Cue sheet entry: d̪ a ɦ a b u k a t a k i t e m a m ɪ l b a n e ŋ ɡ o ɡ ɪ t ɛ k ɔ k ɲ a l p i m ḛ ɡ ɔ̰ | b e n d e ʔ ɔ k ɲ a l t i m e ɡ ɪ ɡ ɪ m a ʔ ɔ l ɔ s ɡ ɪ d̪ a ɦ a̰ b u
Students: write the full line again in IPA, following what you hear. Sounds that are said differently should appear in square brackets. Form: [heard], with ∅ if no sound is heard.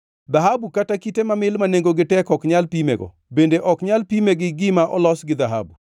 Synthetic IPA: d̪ a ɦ a b u k a t a k i t e m a m ɪ l [m] a n e ŋ ɡ o ɡ ɪ t ɛ k ɔ k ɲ a l p i m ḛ ɡ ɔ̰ | b e n d e ʔ ɔ k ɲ a l [p] i m e ɡ ɪ ɡ ɪ m a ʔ ɔ l ɔ s ɡ ɪ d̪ a ɦ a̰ b u